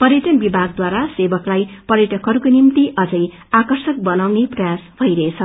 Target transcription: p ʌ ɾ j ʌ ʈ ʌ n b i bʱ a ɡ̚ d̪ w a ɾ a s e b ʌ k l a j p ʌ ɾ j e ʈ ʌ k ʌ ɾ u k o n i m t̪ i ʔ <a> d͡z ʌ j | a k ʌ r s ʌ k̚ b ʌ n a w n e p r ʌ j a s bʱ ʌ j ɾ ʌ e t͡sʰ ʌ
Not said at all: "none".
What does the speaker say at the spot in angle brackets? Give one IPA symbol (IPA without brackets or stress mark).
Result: ʌ